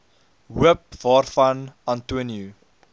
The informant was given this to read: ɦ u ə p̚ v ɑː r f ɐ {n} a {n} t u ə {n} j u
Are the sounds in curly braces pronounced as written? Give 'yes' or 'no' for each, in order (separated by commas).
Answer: yes, yes, yes